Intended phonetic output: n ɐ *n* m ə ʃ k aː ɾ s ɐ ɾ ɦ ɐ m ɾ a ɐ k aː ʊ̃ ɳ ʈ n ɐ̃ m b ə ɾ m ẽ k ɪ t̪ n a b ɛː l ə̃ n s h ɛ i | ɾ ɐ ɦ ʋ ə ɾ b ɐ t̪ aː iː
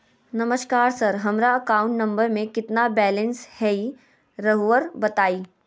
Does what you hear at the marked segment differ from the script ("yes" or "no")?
yes